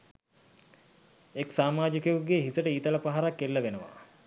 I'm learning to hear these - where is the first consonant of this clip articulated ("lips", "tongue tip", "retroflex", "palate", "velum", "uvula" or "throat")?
velum